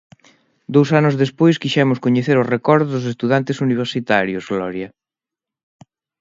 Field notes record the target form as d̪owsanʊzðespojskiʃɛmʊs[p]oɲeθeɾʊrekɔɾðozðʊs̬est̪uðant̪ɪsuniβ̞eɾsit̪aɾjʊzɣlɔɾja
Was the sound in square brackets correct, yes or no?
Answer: no